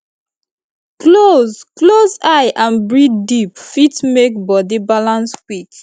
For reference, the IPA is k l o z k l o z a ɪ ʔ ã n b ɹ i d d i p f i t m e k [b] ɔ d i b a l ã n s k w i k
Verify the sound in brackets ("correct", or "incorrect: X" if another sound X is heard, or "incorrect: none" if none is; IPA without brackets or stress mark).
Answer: correct